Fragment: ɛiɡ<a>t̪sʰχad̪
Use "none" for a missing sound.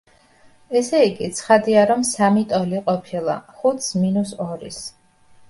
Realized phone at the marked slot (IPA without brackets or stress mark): i